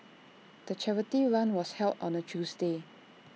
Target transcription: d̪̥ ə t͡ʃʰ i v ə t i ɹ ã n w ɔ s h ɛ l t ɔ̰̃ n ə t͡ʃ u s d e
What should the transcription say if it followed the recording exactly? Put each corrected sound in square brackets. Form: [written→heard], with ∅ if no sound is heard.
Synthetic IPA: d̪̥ ə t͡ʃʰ [i→ɛ] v ə t i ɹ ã n w ɔ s h ɛ l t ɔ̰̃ n ə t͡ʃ u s d e